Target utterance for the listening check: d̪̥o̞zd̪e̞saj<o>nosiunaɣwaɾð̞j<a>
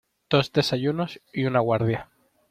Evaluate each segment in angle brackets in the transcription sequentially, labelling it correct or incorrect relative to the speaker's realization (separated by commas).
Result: incorrect, correct